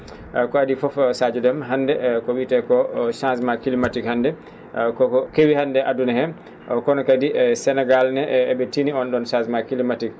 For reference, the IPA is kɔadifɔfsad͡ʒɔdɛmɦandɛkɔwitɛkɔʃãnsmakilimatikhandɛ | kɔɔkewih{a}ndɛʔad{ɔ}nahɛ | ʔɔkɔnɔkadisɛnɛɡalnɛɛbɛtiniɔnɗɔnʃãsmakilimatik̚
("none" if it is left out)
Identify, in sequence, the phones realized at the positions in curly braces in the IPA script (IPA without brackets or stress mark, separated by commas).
a, u